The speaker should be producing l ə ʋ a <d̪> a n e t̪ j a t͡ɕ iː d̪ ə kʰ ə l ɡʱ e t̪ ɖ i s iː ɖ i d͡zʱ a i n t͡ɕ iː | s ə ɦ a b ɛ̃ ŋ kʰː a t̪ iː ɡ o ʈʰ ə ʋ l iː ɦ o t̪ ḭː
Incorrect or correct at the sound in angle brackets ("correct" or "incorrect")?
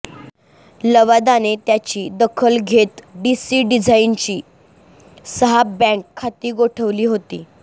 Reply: correct